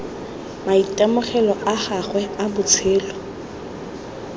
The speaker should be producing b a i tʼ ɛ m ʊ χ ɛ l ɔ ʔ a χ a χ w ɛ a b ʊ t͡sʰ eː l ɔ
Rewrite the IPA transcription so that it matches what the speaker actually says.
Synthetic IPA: m a i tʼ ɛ m ʊ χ ɛ l ɔ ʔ a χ a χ w ɛ a b ʊ t͡sʰ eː l ɔ